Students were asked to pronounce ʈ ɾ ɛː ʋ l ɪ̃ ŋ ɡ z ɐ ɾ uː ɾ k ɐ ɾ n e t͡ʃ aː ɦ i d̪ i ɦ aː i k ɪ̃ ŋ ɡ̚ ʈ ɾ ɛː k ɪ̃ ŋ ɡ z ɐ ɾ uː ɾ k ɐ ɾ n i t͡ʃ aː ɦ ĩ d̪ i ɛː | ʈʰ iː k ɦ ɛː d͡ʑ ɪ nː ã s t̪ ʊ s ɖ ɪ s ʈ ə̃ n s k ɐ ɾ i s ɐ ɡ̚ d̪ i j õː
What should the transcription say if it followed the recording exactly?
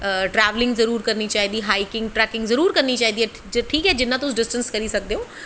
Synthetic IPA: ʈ ɾ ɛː ʋ l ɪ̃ ŋ ɡ z ɐ ɾ uː ɾ k ɐ ɾ n i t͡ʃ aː ɦ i d̪ i ɦ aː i k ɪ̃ ŋ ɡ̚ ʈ ɾ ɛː k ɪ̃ ŋ ɡ z ɐ ɾ uː ɾ k ɐ ɾ n i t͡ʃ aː ɦ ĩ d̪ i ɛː | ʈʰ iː k ɦ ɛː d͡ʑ ɪ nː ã t̪ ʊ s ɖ ɪ s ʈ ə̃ n s k ɐ ɾ i s ɐ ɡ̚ d̪ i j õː